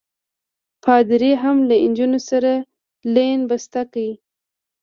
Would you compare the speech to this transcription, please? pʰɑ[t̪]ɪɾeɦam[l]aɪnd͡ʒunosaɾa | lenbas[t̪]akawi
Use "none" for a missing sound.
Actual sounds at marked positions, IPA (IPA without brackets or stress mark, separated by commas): d̪, l, t̪